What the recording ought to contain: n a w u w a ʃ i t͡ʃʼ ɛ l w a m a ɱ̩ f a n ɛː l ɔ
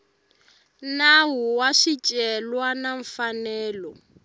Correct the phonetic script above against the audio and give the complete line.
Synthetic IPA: n a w u w a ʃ i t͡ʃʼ ɛ l w a n a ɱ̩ f a n ɛː l ɔ